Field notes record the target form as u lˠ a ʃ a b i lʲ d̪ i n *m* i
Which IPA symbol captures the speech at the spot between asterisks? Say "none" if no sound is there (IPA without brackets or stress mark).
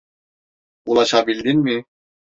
m